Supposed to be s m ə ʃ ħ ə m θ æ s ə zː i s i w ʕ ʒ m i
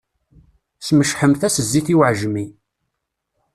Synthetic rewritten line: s m ə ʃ ħ ə m θ æ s ə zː i θ i w ʕ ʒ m i